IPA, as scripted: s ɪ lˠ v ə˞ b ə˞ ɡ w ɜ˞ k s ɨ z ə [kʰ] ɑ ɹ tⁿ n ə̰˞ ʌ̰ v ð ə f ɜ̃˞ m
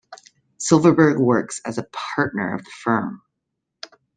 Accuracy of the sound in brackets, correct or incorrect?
incorrect: pʰ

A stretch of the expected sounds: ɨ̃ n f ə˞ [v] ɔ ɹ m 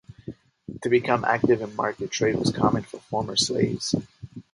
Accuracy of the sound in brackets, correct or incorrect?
incorrect: f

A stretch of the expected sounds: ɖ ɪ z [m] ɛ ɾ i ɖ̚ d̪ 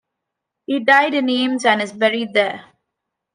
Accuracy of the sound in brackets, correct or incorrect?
incorrect: b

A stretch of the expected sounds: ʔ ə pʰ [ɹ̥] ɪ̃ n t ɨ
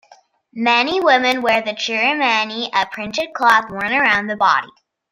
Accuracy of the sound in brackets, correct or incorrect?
correct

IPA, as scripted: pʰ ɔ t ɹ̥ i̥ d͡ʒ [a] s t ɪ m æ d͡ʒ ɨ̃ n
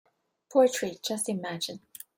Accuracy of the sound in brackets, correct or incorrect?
incorrect: ʌ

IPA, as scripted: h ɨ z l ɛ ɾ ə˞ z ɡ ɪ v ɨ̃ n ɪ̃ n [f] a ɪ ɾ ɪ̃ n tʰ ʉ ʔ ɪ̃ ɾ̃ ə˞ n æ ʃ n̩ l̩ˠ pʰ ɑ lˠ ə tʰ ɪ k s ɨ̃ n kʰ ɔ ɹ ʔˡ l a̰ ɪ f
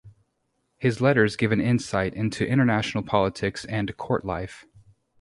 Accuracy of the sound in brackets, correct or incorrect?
incorrect: s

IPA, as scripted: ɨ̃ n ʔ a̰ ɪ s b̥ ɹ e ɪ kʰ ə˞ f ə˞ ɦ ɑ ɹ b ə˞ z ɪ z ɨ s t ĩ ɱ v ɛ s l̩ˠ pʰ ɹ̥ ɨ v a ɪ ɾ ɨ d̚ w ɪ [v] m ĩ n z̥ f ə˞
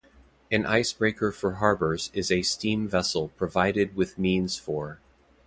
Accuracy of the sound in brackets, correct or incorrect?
incorrect: ð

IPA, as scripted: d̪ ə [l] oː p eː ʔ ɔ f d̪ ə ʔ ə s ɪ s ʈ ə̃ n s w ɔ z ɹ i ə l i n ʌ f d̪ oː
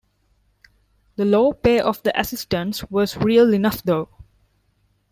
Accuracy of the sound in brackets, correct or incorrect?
correct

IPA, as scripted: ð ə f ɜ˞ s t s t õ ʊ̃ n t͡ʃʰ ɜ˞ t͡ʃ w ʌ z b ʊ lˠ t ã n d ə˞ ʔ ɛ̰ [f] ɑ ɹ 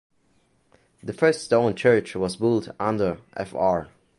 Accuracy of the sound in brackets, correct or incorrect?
correct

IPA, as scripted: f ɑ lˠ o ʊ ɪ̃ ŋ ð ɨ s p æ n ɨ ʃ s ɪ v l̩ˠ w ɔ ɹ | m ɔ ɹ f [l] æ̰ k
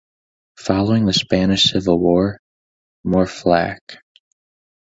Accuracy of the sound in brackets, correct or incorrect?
correct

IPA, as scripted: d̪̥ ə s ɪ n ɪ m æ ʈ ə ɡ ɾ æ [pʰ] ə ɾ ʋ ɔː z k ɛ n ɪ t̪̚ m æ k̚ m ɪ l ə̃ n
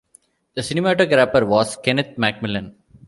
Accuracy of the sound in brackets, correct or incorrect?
incorrect: p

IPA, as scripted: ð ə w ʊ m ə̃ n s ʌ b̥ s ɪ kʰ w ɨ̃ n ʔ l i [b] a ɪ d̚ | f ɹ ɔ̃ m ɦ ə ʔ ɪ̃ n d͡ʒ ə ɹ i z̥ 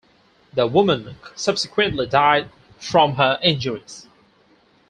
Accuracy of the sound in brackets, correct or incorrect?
incorrect: d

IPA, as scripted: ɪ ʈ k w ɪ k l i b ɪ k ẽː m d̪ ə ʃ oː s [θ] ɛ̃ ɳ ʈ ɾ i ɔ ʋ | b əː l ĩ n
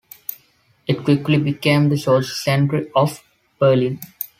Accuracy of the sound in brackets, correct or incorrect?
incorrect: s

